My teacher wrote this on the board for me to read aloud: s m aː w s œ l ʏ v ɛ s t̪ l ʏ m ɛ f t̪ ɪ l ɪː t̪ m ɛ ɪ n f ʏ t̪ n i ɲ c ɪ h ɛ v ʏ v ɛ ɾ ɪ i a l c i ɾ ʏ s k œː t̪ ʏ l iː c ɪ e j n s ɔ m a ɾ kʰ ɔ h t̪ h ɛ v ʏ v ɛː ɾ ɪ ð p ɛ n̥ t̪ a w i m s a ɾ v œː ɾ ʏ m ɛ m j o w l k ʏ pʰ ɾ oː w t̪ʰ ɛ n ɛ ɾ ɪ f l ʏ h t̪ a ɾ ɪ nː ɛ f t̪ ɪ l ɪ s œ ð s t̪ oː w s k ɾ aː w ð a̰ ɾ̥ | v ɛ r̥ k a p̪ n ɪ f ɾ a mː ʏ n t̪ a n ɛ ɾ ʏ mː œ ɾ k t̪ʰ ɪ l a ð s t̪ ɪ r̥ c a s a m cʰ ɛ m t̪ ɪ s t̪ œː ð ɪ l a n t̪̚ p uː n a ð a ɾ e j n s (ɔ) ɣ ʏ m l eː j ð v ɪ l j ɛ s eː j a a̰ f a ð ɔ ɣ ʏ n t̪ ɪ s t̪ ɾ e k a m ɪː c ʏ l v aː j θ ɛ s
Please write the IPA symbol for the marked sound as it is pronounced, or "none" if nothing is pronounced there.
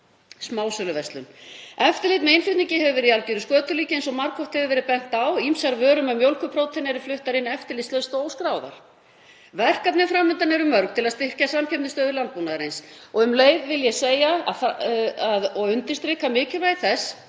ɔ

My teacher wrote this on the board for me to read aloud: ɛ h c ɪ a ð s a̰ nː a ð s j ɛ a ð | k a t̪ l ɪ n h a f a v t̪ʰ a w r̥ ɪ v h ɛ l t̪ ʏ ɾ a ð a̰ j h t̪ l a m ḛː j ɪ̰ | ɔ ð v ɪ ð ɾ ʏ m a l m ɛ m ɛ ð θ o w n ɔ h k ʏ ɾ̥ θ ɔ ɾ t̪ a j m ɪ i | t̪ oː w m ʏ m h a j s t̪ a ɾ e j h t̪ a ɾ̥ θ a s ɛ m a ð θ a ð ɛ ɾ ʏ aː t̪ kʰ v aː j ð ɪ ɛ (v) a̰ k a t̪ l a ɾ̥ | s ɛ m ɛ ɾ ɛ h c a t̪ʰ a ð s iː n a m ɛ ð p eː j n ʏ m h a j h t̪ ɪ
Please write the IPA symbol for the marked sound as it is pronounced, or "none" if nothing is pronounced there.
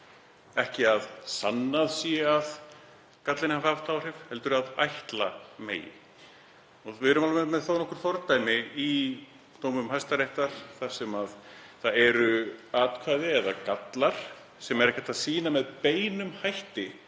ð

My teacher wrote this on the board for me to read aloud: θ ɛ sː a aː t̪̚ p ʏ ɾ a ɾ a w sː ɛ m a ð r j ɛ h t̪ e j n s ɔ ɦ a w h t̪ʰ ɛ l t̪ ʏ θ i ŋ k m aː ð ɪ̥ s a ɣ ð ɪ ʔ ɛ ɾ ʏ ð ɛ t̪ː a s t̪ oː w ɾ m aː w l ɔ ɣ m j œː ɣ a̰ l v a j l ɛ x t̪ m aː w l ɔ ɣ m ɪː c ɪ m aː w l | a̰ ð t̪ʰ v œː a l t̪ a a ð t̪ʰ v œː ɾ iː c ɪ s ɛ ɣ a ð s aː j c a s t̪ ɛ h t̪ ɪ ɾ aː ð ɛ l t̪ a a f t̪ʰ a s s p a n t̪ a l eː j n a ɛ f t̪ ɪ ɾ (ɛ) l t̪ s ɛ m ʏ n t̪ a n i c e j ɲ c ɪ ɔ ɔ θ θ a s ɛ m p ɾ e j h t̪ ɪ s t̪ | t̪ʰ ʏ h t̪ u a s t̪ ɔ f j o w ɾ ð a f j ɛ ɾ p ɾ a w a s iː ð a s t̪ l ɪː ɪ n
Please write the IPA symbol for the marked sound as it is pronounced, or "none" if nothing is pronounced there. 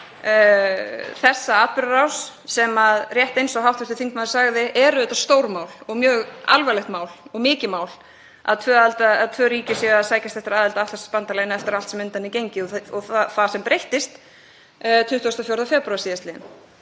a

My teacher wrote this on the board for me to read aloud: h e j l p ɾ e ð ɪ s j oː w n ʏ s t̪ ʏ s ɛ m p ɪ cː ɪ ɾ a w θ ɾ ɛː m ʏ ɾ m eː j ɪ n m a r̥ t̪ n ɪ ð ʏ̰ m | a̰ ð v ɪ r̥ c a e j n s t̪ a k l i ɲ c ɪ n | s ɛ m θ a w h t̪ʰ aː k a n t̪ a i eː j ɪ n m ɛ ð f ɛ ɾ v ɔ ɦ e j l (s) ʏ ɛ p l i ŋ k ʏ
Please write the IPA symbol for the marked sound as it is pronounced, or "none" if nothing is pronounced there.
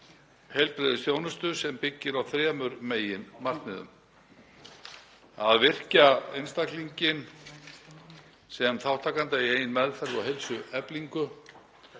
s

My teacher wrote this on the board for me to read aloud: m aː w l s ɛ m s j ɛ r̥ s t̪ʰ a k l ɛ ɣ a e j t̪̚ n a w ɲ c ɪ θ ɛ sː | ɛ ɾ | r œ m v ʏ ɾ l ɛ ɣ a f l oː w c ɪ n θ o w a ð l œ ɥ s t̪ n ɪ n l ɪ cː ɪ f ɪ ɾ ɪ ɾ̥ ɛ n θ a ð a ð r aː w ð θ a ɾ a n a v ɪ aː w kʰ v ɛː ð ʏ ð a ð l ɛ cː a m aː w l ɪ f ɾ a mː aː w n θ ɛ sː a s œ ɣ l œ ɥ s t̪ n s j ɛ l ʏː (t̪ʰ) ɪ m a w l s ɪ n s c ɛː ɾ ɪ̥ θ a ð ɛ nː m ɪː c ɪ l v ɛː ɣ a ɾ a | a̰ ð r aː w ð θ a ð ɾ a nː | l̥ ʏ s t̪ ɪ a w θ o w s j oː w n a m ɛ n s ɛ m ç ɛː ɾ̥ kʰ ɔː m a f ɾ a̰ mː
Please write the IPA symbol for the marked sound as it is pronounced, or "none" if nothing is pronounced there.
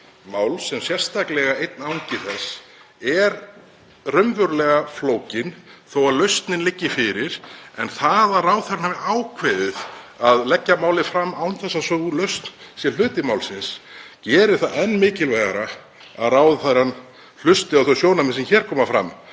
t̪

